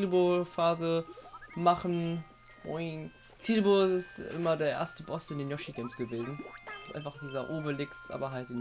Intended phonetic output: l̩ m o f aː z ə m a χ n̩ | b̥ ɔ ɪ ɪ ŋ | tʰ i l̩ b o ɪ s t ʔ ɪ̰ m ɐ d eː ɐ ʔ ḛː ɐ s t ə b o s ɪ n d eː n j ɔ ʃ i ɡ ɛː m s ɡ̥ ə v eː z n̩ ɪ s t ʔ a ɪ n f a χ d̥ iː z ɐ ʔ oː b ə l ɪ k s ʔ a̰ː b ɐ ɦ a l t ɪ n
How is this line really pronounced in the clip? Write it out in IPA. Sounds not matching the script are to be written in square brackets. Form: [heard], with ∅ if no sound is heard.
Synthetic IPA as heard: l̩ [b] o f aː z ə m a χ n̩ | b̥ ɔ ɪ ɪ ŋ | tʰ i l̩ b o ɪ s t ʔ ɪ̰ m ɐ d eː ɐ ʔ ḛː ɐ s t ə b [ɔ] s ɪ n d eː n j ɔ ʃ i ɡ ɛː m s ɡ̥ ə v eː z n̩ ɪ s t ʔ a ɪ n f a χ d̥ iː z ɐ ʔ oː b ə l ɪ k s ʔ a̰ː b ɐ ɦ a l t ɪ n